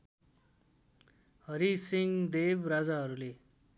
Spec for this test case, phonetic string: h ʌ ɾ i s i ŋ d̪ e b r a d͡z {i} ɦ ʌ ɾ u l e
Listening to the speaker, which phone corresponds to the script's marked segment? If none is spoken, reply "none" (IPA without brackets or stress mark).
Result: a